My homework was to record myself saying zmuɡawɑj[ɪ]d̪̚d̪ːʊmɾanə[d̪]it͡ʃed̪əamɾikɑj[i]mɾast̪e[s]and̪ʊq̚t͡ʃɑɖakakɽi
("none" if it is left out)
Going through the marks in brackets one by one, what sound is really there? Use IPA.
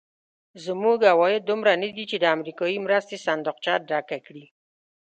ɪ, d̪, i, s

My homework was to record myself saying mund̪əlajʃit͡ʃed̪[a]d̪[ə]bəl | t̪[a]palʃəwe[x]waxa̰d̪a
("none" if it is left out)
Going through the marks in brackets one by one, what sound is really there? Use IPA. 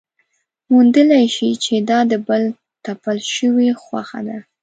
ɑ, ə, a, x

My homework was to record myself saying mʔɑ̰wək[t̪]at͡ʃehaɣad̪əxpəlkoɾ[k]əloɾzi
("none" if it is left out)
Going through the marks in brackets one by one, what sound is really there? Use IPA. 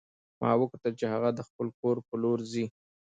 t̪, p

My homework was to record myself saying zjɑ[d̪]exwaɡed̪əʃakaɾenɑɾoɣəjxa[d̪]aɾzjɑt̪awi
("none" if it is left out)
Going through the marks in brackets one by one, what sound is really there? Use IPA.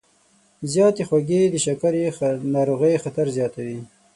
t̪, t̪

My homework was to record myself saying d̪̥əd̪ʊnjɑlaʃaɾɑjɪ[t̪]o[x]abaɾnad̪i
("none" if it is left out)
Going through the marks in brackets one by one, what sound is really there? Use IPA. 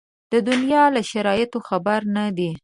t̪, x

